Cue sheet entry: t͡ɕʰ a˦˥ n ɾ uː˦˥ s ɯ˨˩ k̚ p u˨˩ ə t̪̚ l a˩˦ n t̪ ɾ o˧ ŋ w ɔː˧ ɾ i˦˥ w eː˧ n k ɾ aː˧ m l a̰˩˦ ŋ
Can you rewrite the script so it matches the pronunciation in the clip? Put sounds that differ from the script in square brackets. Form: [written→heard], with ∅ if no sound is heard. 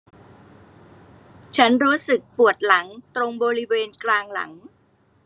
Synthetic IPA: t͡ɕʰ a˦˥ n ɾ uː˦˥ s ɯ˨˩ k̚ p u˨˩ ə t̪̚ l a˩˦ [n→ŋ] t̪ ɾ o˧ ŋ [w→b] ɔː˧ ɾ i˦˥ w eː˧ n k [ɾ→l] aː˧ [m→ŋ] l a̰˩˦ ŋ